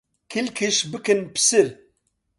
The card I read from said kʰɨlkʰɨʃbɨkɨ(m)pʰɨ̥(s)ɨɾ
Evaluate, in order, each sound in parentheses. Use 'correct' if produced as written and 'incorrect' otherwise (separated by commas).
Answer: incorrect, correct